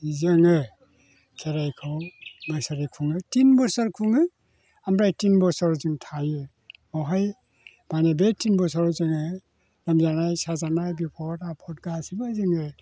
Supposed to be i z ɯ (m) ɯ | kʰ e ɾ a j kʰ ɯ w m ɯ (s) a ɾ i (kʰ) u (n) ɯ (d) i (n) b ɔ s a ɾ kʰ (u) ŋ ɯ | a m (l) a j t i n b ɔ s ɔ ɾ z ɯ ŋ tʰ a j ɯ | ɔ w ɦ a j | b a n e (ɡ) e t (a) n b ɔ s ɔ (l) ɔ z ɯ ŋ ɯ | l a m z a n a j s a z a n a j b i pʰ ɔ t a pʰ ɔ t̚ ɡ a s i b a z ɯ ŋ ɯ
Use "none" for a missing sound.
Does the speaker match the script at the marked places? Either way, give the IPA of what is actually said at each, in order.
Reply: ŋ, s, kʰ, ŋ, t, n, u, ɾ, b, i, ɾ

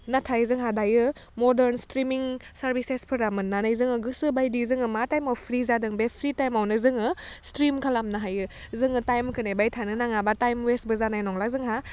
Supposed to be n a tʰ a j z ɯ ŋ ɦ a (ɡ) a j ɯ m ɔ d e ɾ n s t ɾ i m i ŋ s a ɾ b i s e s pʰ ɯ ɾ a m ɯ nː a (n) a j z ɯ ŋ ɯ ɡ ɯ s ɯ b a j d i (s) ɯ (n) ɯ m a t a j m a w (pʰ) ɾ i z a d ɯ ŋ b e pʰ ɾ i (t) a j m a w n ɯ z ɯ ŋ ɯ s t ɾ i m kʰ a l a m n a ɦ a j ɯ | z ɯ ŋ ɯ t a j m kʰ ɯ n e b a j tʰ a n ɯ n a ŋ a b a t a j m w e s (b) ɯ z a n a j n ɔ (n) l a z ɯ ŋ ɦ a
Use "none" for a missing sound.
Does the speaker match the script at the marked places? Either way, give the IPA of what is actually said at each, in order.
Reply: d, n, z, ŋ, pʰ, t, b, ŋ

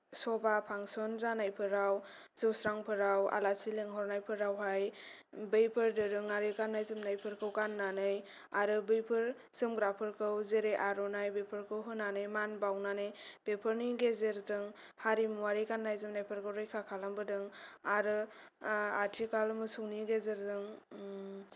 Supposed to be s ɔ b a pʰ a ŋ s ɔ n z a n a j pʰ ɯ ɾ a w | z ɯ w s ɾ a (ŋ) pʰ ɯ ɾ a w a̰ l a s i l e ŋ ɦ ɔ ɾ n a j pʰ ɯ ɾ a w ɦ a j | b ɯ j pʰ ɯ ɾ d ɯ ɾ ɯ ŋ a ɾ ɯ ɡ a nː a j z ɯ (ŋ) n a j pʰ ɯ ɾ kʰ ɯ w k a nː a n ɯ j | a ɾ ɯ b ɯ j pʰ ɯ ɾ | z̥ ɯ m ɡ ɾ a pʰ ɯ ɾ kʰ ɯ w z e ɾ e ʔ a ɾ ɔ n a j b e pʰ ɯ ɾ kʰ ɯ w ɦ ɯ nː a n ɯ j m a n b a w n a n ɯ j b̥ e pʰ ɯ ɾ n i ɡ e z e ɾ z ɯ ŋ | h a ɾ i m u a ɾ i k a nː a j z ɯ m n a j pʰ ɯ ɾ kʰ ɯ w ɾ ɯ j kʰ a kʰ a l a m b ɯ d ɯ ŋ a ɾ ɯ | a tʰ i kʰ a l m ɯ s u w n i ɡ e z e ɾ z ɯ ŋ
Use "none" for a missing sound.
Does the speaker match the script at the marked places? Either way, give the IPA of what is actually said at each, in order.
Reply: ŋ, m

